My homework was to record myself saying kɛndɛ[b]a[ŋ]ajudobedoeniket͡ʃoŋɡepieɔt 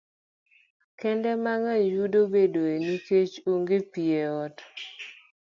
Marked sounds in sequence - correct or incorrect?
incorrect: m, correct

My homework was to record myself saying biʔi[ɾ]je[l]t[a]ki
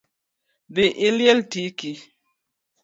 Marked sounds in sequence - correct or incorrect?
incorrect: l, correct, incorrect: i

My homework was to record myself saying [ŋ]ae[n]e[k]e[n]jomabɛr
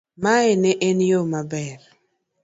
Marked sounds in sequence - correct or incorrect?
incorrect: m, correct, incorrect: ʔ, correct

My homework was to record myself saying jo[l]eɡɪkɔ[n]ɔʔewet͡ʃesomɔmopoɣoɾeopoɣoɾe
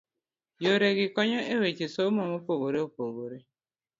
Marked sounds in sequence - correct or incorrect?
incorrect: ɾ, incorrect: ɲ

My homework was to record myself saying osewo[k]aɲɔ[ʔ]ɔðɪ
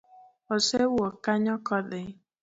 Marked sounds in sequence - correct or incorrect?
correct, incorrect: k

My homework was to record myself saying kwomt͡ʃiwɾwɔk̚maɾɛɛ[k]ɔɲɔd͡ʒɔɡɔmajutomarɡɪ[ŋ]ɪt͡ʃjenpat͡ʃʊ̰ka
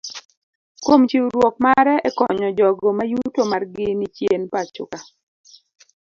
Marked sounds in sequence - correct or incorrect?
correct, incorrect: n

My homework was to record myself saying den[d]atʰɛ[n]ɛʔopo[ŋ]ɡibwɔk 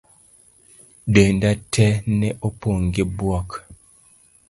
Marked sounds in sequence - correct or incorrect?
correct, correct, correct

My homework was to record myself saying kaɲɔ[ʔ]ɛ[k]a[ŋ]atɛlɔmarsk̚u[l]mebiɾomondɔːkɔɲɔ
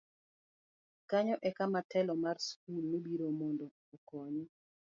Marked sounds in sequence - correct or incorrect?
correct, correct, incorrect: m, correct

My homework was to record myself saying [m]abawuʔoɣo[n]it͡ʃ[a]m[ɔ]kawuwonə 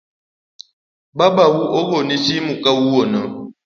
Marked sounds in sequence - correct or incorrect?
incorrect: b, correct, incorrect: i, incorrect: u

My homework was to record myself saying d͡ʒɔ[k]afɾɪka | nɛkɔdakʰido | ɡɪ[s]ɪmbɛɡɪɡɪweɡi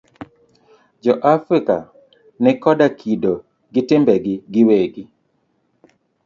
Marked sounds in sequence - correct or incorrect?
incorrect: ʔ, incorrect: t

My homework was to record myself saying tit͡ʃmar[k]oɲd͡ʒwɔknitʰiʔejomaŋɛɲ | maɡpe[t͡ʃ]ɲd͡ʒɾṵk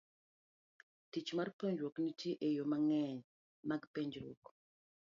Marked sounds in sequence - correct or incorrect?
incorrect: p, incorrect: none

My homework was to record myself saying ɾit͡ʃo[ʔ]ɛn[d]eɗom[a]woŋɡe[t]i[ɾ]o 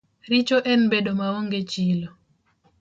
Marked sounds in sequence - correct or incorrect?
correct, incorrect: b, correct, incorrect: t͡ʃ, incorrect: l

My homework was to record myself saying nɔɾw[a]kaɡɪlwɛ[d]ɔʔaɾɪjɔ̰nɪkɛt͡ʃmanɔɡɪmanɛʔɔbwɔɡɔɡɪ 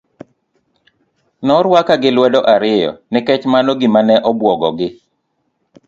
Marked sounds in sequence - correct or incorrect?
correct, correct

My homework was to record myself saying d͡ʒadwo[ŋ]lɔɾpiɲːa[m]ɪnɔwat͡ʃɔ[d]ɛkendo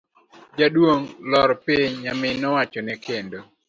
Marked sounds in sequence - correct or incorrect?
correct, correct, incorrect: n

